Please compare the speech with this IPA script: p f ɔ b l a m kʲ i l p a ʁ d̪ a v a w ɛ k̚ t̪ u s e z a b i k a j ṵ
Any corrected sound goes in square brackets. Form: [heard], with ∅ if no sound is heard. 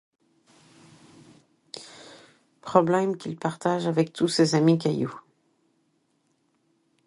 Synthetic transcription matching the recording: p [χ] ɔ b l [ɛ] m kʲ i l p a ʁ [t̪] a [ʒ] a [v] ɛ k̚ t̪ u s e z a [m] i k a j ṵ

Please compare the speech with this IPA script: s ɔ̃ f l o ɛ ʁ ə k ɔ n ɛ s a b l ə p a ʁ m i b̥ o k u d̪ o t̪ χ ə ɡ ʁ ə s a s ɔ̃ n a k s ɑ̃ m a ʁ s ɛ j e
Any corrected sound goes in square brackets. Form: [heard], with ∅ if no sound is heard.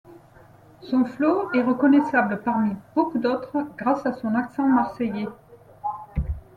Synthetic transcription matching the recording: s ɔ̃ f l o ɛ ʁ ə k ɔ n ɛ s a b l ə p a ʁ m i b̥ o k u d̪ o t̪ χ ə ɡ ʁ [a] s a s ɔ̃ n a k s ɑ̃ m a ʁ s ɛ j e

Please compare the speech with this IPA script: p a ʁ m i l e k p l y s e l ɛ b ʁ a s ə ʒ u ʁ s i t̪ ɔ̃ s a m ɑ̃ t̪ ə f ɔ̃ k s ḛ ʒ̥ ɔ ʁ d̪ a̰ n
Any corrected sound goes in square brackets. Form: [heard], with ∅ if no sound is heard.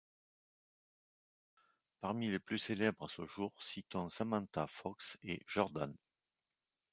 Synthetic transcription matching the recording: p a ʁ m i l e [∅] p l y s e l ɛ b ʁ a s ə ʒ u ʁ s i t̪ ɔ̃ s a m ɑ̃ t̪ [a] f [ɔ] k s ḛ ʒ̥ ɔ ʁ d̪ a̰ n

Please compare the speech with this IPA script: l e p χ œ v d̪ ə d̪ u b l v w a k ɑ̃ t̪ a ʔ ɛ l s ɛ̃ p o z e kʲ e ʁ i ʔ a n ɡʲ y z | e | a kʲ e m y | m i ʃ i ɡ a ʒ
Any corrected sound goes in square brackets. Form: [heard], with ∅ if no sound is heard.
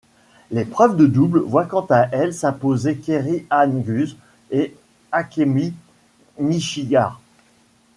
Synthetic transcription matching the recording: l e p χ œ v d̪ ə d̪ u b l v w a k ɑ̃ t̪ a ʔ ɛ l s ɛ̃ p o z e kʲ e ʁ i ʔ a n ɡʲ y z | e | a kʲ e m [i] | m i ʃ i ɡ a [ʁ]

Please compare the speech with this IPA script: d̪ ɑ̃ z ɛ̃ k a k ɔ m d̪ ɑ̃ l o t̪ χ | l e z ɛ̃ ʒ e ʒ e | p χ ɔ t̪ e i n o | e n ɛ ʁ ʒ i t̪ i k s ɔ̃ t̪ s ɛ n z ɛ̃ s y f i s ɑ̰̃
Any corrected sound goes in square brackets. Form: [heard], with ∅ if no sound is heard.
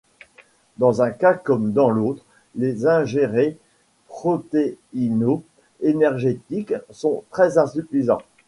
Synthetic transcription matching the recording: d̪ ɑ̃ z ɛ̃ k a k ɔ m d̪ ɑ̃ l o t̪ χ | l e z ɛ̃ ʒ e [ʁ] e | p χ ɔ t̪ e i n o | e n ɛ ʁ ʒ [e] t̪ i k s ɔ̃ t̪ [χ] ɛ [∅] z ɛ̃ s y f i [z] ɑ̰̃

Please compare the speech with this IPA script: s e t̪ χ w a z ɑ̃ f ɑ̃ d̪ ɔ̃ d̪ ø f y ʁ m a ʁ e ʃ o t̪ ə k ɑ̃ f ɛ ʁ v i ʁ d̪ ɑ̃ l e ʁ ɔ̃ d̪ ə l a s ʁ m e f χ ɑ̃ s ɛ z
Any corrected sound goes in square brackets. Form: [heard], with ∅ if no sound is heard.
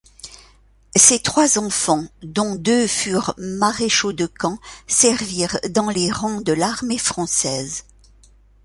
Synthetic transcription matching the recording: s e t̪ χ w a z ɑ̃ f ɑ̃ d̪ ɔ̃ d̪ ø f y ʁ m a ʁ e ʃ o [d̪] ə k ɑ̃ [s] ɛ ʁ v i ʁ d̪ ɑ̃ l e ʁ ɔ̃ d̪ ə l a [∅] ʁ m e f χ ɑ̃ s ɛ z

